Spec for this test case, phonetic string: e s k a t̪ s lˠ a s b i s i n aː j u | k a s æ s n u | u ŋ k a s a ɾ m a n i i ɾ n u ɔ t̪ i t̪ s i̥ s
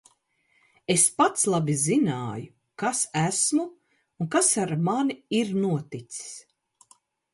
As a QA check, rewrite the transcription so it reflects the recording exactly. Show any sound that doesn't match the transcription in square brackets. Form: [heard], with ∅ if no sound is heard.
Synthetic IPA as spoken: e s [p] a t̪ s lˠ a [∅] b i [z] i n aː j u | k a s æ s [m] u | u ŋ k a s a ɾ m a n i i ɾ n u ɔ t̪ i t̪ s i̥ s